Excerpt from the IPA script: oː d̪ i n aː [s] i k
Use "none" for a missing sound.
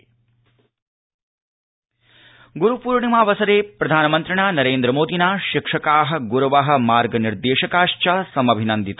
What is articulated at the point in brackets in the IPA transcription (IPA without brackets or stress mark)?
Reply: ʃ